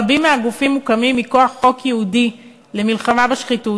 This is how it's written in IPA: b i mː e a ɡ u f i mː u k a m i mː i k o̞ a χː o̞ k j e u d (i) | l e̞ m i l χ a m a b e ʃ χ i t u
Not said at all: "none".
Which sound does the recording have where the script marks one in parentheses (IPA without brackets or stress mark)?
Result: i